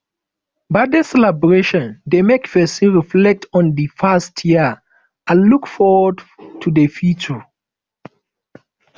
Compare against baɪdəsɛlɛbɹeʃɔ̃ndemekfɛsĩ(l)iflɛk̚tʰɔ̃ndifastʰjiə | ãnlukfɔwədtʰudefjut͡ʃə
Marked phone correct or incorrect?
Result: incorrect